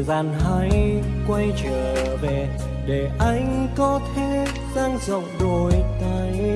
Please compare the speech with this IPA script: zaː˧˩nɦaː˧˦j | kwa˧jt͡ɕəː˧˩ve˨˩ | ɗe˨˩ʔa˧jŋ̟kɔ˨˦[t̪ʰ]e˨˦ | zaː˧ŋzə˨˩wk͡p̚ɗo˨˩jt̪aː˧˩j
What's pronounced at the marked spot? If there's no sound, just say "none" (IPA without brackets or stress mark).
t̪ʰ